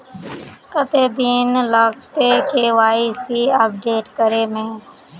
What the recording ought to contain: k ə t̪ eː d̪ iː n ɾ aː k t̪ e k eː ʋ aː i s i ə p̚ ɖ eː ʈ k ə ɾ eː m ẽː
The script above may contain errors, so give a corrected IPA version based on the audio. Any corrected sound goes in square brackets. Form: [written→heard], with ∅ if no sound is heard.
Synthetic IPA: k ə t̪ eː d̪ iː n [ɾ→l] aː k t̪ e k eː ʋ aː i s i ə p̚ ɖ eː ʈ k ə ɾ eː m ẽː